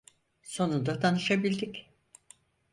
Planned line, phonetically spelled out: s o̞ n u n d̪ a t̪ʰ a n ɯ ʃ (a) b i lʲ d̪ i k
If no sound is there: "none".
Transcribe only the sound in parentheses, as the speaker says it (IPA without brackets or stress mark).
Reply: a